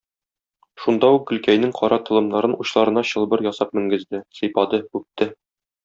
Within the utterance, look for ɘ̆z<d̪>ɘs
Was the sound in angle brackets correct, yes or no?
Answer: yes